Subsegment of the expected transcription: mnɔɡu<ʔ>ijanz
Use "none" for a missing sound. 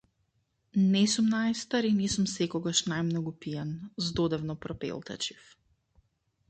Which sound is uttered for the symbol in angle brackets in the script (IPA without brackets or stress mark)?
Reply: p